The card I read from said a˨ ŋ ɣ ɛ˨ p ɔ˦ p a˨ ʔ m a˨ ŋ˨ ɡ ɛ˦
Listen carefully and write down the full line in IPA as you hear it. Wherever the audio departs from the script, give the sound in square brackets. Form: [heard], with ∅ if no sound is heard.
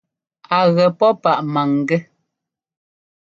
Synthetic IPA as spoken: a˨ [∅] ɣ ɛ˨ p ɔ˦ p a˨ ʔ m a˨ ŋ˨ ɡ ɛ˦